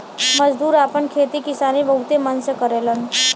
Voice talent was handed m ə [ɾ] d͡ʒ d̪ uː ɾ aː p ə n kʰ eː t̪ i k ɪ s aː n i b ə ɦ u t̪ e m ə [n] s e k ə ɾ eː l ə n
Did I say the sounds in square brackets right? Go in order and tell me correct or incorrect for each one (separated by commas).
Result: incorrect, correct